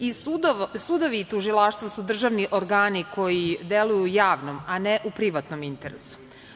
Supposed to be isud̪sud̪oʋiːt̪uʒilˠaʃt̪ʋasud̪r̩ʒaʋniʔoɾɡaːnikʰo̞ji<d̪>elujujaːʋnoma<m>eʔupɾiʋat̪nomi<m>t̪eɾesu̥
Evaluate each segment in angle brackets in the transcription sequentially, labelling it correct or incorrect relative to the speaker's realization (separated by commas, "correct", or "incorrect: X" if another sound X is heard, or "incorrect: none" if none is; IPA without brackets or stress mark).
correct, incorrect: n, incorrect: n